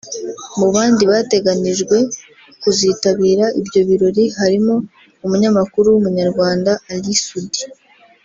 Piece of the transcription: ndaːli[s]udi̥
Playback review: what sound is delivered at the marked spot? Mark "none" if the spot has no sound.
s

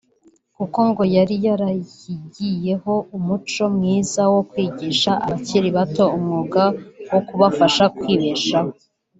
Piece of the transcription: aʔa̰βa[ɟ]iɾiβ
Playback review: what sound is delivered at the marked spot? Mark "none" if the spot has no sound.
c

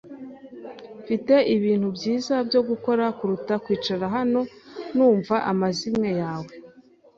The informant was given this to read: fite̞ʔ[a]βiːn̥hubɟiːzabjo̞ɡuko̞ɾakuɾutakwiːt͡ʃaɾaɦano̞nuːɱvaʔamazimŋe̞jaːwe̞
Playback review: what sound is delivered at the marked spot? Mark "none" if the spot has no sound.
i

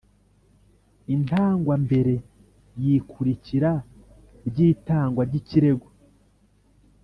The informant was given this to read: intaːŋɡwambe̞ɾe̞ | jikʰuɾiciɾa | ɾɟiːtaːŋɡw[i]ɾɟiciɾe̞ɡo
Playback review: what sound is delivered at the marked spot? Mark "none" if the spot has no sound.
a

